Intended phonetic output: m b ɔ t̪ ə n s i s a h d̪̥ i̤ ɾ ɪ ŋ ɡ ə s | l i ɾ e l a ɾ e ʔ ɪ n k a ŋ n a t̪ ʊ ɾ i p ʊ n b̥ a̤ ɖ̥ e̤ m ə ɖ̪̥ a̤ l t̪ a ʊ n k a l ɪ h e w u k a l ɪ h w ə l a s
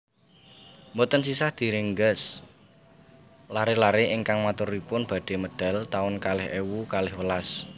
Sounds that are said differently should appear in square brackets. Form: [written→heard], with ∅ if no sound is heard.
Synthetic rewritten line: m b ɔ t̪ ə n s i s a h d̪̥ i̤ ɾ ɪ ŋ ɡ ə s | l [i→a] ɾ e l a ɾ e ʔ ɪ [n→ŋ] k a ŋ [n→m] a t̪ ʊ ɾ i p ʊ n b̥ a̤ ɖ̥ e̤ m ə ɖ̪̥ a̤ l t̪ a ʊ n k a l ɪ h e w u k a l ɪ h w ə l a s